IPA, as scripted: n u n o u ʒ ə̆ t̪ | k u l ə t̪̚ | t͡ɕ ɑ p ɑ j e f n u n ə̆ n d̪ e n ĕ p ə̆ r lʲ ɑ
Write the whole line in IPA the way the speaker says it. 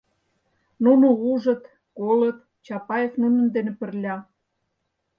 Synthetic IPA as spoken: n u n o u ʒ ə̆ t̪ | k o l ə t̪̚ | t͡ɕ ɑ p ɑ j e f n u n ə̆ n d̪ e n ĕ p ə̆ r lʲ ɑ